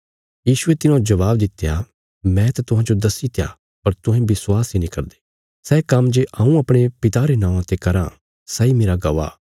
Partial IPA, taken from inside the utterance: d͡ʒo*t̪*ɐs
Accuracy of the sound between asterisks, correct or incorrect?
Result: incorrect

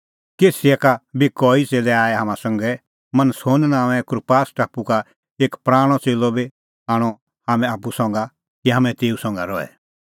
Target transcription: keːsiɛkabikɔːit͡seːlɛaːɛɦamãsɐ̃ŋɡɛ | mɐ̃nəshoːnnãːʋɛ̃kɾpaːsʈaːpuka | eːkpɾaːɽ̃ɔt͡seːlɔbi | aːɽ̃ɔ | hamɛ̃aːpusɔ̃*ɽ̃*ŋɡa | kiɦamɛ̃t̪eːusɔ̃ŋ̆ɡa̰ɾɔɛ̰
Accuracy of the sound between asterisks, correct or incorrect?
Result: incorrect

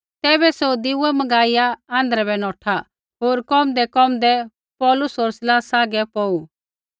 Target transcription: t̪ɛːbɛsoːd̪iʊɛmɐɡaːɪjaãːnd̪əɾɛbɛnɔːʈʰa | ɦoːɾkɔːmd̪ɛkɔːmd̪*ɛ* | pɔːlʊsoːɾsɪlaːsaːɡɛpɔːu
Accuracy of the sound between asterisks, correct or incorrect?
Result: correct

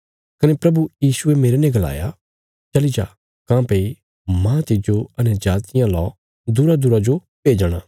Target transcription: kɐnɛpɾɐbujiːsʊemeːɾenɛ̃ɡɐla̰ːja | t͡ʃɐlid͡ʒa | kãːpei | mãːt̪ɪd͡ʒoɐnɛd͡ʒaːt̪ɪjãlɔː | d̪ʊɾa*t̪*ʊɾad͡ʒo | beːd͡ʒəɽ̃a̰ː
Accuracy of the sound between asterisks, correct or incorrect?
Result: incorrect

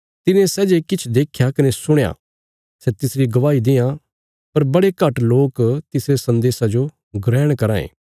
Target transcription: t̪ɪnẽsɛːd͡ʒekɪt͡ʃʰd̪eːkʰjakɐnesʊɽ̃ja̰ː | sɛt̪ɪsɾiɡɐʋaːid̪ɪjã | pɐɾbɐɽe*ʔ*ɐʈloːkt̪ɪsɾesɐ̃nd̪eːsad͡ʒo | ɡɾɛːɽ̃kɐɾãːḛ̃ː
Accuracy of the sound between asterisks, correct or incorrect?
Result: incorrect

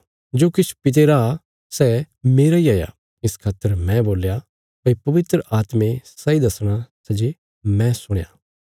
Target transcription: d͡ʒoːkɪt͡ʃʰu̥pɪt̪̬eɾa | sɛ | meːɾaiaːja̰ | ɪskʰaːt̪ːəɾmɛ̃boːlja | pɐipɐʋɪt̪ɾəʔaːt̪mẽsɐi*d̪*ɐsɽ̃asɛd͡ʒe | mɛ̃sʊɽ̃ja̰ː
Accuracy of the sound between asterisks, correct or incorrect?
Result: correct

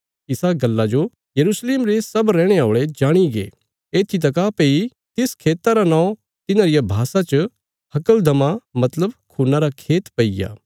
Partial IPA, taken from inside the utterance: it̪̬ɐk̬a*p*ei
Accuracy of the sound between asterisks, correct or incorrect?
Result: correct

